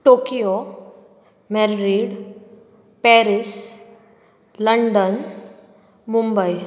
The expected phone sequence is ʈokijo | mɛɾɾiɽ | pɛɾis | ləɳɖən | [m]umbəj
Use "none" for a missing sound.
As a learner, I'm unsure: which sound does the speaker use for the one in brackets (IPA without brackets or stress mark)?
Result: m